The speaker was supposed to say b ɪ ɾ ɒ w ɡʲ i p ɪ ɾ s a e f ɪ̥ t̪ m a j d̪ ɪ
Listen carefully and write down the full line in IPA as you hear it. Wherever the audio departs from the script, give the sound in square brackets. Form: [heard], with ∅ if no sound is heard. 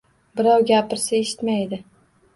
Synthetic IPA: b ɪ ɾ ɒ w ɡʲ [a] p ɪ ɾ s a e [ʃ] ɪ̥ t̪ m a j d̪ ɪ